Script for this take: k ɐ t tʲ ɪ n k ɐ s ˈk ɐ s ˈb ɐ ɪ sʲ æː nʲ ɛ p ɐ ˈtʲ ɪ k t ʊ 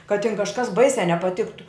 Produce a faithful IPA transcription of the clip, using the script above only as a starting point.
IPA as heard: k ɐ t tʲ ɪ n k ɐ ʃ ˈk ɐ s ˈb ɐ ɪ sʲ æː nʲ ɛ p ɐ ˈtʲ ɪ k t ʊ